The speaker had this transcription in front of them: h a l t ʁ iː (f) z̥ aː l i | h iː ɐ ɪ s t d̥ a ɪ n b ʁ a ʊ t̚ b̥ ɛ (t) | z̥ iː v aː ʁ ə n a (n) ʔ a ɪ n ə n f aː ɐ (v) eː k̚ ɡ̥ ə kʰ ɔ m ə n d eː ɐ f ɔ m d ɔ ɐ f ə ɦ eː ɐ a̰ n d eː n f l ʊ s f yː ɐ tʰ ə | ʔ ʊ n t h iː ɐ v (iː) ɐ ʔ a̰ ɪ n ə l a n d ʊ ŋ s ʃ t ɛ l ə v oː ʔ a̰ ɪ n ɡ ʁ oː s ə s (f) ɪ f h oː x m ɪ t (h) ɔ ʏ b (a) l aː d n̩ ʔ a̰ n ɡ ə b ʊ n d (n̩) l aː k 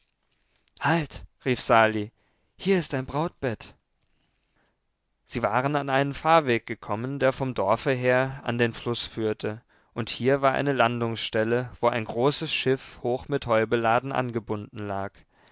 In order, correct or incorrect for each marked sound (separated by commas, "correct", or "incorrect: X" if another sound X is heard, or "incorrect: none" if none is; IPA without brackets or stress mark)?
correct, correct, correct, correct, incorrect: aː, incorrect: ʃ, correct, incorrect: ə, correct